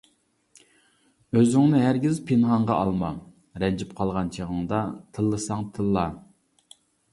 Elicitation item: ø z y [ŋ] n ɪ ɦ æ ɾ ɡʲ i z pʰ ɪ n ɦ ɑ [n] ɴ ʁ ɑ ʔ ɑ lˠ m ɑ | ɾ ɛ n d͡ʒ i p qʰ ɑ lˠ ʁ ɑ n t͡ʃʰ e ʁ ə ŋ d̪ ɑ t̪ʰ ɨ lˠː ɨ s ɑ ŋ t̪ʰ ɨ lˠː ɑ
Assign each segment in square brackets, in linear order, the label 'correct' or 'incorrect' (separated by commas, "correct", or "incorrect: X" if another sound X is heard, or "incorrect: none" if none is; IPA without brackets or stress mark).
correct, incorrect: none